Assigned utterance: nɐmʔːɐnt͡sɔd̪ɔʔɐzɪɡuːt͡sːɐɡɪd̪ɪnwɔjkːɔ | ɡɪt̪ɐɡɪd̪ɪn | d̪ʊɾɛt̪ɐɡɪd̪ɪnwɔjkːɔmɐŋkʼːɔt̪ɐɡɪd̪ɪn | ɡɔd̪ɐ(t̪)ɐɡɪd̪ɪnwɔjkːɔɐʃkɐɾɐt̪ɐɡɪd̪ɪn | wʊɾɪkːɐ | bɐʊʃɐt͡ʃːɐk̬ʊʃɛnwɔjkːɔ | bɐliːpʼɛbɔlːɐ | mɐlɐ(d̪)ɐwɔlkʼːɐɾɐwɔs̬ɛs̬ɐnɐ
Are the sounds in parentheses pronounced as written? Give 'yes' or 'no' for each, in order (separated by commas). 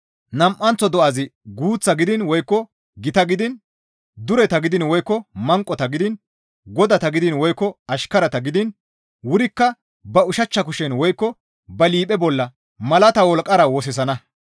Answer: yes, no